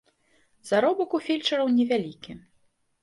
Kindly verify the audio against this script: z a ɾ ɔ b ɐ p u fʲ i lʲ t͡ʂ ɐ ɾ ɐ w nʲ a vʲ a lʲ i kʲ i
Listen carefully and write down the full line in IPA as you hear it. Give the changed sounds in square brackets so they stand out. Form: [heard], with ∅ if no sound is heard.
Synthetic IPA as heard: z a ɾ ɔ b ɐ [k] u fʲ i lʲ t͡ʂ ɐ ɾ ɐ w nʲ [ɛ] vʲ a lʲ i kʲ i